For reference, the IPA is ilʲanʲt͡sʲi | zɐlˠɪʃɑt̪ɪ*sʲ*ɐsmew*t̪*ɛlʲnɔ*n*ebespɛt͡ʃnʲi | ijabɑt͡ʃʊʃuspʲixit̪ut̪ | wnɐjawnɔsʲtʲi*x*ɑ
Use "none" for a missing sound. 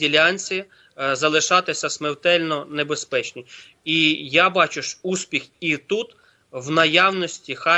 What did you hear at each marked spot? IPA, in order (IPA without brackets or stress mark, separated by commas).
sʲ, t̪, n, x